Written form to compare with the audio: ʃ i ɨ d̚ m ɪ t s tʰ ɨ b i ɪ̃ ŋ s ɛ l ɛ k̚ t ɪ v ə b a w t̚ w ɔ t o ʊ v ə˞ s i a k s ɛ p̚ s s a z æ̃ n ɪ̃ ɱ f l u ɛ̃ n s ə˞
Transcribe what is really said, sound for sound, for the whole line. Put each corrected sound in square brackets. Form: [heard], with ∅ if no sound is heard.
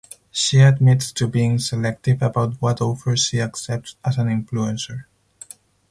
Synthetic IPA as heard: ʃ i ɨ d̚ m ɪ t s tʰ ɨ b i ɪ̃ ŋ s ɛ l ɛ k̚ t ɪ v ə b a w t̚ w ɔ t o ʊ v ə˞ [ʃ] i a k s ɛ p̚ [t] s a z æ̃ n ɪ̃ ɱ f l u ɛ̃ n s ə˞